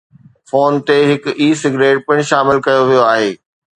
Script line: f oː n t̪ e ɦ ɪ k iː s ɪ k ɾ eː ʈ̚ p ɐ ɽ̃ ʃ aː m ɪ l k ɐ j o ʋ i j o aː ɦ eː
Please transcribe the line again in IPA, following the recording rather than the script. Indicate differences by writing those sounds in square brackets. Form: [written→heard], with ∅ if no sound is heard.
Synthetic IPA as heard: f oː n t̪ e ɦ ɪ k iː s ɪ [k→ɡ] ɾ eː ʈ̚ p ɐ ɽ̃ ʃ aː m ɪ l k ɐ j o ʋ i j o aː ɦ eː